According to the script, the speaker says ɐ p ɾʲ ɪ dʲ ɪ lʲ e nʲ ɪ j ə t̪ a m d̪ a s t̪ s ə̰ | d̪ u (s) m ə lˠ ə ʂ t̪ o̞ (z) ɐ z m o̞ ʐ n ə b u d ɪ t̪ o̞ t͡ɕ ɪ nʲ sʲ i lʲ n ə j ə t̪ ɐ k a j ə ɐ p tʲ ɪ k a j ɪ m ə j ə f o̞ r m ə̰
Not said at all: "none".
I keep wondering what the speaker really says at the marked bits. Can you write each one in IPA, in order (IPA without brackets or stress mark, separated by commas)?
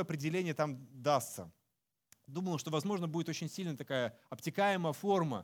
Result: none, v